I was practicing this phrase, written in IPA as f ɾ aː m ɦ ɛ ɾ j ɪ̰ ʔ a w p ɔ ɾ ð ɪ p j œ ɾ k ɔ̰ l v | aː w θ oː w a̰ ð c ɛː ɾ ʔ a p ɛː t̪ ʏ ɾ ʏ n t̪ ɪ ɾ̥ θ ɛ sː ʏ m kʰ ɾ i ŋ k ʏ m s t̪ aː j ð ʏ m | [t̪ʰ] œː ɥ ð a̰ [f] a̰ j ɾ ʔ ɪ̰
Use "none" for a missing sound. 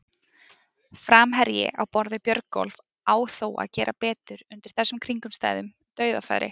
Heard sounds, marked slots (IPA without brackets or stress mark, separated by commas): t̪, f